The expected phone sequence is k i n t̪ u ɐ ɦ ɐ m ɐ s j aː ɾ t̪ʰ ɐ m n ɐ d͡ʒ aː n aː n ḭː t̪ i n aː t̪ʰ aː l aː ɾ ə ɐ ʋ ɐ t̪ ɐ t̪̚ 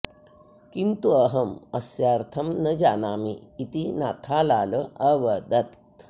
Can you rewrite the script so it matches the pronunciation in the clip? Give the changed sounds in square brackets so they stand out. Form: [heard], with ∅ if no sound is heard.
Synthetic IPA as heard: k i n t̪ u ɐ ɦ ɐ m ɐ s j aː ɾ t̪ʰ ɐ m n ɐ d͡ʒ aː n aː [m] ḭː t̪ i n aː t̪ʰ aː l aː [l] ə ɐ ʋ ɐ [d̪] ɐ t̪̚

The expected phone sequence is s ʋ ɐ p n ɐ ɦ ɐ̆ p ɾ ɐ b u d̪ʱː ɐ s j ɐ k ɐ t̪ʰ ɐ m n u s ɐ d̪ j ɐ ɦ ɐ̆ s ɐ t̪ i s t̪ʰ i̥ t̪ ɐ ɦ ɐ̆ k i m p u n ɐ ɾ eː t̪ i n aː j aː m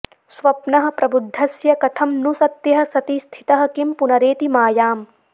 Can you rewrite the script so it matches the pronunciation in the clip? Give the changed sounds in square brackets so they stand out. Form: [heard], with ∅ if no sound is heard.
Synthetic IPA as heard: s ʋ ɐ p n ɐ ɦ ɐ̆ p ɾ ɐ b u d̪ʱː ɐ s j ɐ k ɐ t̪ʰ ɐ m n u s ɐ [t̪] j ɐ ɦ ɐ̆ s ɐ t̪ i s t̪ʰ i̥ t̪ ɐ ɦ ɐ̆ k i m p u n ɐ ɾ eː t̪ i [m] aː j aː m

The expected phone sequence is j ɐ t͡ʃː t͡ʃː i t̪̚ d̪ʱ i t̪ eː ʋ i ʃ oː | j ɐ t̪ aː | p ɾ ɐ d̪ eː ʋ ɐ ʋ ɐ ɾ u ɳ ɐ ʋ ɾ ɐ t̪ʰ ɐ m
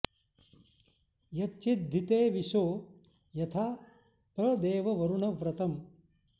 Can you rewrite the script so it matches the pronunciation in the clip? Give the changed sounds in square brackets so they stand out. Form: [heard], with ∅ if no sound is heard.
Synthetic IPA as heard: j ɐ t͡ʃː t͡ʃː i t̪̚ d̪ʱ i t̪ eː ʋ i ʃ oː | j ɐ [t̪ʰ] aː | p ɾ ɐ d̪ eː ʋ ɐ ʋ ɐ ɾ u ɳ ɐ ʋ ɾ ɐ [t̪] ɐ m

